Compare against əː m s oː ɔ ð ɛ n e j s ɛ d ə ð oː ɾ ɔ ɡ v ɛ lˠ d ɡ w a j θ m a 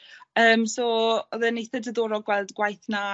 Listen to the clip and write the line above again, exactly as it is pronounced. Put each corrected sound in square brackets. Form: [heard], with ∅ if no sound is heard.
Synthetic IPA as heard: əː m s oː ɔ ð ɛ n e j [θ] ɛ d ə ð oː ɾ ɔ ɡ [w] ɛ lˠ d ɡ w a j θ [n] a